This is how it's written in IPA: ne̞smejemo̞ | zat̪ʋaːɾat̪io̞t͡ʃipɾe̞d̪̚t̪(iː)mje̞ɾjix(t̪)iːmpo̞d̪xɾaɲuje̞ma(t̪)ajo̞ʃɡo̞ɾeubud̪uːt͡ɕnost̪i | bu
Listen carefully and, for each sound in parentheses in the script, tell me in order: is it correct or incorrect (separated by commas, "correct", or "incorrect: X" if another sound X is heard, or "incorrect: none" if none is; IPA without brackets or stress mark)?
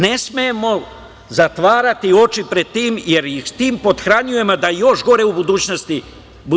correct, correct, incorrect: d̪